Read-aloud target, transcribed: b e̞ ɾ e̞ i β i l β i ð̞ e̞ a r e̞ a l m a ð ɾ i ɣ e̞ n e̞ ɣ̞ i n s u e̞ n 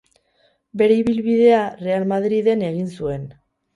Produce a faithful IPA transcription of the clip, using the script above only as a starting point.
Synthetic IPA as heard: b e̞ ɾ e̞ i β i l β i ð̞ e̞ a r e̞ a l m a ð ɾ i ð e̞ n e̞ ɣ̞ i n s u e̞ n